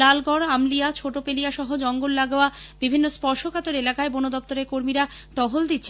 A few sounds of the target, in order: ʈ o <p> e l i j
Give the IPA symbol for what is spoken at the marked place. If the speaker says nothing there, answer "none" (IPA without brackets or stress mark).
p